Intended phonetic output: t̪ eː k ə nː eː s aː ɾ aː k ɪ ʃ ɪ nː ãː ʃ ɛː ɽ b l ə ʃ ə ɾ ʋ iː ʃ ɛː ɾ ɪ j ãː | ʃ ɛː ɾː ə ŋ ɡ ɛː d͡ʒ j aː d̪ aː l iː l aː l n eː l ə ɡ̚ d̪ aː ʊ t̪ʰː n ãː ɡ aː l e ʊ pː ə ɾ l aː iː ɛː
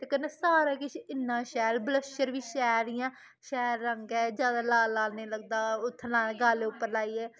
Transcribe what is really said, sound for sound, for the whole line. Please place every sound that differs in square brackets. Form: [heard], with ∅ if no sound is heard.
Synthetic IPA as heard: t̪ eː k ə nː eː s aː ɾ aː k ɪ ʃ ɪ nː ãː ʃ ɛː [l] b l ə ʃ ə ɾ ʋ iː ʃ ɛː ɾ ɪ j ãː | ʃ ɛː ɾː ə ŋ ɡ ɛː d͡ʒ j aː d̪ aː l [aː] l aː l n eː l ə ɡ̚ d̪ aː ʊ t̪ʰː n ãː ɡ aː l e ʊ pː ə ɾ l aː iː ɛː